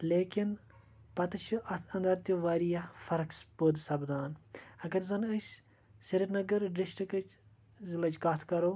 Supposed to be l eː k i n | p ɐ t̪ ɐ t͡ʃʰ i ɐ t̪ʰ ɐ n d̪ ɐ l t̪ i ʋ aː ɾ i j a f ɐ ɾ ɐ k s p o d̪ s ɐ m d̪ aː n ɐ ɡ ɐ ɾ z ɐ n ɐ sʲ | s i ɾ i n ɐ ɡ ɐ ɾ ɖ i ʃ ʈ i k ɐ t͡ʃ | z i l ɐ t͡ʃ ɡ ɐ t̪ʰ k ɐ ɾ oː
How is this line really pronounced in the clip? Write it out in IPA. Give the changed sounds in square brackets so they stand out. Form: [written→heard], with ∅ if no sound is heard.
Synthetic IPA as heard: l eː k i n | p ɐ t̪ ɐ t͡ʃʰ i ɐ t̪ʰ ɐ n d̪ ɐ [l→ɾ] t̪ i ʋ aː ɾ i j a f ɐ ɾ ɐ k s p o d̪ s ɐ [m→b] d̪ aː n ɐ ɡ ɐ ɾ z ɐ n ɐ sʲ | s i ɾ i n ɐ ɡ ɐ ɾ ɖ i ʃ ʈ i k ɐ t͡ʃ | z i l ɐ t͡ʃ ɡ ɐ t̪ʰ k ɐ ɾ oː